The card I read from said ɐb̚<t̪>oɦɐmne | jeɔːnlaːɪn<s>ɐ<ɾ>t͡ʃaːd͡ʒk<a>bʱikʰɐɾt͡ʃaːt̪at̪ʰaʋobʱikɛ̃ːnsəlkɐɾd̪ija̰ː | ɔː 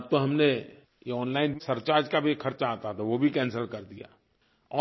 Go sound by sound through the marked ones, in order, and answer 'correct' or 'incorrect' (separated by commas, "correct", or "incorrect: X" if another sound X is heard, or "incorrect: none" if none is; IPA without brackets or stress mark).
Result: correct, correct, correct, correct